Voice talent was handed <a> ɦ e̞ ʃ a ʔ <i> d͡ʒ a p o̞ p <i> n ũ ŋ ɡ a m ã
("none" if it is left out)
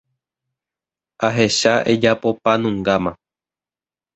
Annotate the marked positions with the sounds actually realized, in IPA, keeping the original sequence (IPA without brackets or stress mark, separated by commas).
a, e, a